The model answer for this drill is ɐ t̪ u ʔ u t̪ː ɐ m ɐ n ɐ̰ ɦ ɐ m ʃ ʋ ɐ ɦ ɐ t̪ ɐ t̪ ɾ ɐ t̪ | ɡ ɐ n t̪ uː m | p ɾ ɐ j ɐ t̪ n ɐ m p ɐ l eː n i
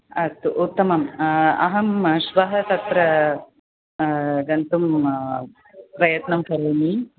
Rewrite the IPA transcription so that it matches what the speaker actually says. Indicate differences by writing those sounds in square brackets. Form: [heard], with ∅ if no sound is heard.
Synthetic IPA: ɐ t̪ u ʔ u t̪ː ɐ m ɐ [m] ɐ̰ ɦ ɐ m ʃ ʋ ɐ ɦ ɐ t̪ ɐ t̪ ɾ ɐ [∅] | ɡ ɐ n t̪ [u] m | p ɾ ɐ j ɐ t̪ n ɐ m [k] ɐ [ɾ] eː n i